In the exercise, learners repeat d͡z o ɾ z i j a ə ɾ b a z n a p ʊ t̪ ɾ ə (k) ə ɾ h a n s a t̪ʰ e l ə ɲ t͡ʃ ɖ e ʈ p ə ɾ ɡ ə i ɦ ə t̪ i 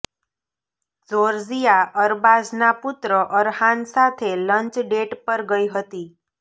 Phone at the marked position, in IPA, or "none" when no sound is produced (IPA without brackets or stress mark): ʔ